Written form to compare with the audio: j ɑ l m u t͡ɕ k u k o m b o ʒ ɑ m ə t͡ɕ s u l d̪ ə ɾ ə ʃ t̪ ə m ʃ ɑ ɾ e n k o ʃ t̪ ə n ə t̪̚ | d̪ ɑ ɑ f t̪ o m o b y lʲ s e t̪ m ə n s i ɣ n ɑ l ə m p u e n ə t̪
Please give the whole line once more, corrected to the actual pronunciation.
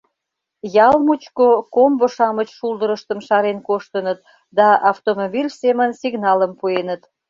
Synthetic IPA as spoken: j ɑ l m u t͡ɕ k o k o m b o ʃ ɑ m ə t͡ɕ ʃ u l d̪ ə ɾ ə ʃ t̪ ə m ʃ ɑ ɾ e n k o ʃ t̪ ə n ə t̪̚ | d̪ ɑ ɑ f t̪ o m o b i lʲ s e m ə n s i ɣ n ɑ l ə m p u e n ə t̪